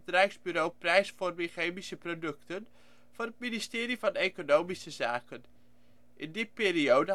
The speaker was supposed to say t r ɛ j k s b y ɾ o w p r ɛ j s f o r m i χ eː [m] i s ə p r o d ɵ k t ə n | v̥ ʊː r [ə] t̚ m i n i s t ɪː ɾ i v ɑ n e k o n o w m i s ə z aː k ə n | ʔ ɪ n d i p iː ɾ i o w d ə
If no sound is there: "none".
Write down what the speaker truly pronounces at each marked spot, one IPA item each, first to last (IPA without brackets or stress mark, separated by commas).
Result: m, ə